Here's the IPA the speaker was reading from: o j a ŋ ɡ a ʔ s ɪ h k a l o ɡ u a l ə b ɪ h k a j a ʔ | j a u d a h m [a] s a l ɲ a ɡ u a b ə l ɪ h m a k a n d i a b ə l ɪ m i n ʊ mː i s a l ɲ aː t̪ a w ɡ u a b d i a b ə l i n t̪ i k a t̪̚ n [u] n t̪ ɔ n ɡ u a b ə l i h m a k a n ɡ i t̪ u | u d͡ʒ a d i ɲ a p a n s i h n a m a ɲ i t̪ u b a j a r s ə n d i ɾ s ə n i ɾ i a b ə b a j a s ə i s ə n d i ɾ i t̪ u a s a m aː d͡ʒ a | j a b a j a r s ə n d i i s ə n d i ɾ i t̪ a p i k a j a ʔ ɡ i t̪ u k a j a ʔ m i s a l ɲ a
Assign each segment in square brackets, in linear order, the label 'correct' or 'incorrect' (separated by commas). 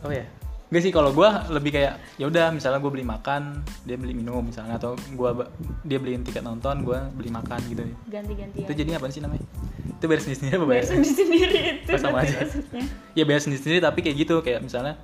incorrect, incorrect